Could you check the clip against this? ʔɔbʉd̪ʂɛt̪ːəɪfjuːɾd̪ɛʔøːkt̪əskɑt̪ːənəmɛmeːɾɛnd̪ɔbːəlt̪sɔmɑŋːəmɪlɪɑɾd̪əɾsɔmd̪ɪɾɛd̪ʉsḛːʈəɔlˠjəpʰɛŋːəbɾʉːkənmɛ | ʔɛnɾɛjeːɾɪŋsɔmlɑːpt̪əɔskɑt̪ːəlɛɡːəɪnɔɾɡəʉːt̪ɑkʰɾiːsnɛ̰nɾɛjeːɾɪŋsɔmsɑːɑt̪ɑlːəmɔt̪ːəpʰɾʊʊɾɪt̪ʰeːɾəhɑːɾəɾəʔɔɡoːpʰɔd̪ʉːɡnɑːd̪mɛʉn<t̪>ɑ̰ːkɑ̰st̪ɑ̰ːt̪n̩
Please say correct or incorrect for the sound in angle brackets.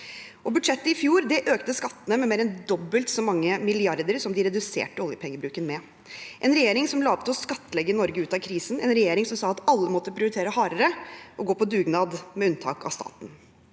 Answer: incorrect